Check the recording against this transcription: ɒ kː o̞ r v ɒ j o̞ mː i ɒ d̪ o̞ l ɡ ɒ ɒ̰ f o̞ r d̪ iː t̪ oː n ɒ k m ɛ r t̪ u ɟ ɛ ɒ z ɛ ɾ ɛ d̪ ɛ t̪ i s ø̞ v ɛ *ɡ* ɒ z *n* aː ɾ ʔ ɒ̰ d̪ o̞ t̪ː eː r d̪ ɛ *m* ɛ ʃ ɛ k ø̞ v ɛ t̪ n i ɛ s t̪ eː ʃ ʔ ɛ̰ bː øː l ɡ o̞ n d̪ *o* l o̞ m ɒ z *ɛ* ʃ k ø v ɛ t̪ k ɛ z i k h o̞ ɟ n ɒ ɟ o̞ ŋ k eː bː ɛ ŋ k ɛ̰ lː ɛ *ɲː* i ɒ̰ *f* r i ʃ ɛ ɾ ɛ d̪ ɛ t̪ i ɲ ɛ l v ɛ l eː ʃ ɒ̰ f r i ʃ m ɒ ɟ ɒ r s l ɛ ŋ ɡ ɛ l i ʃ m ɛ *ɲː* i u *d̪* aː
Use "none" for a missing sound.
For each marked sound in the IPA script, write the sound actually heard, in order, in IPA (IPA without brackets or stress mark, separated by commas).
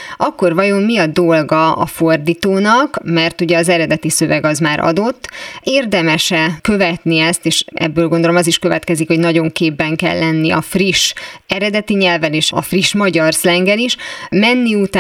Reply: ɡ, m, m, o, i, nː, f, nː, t̪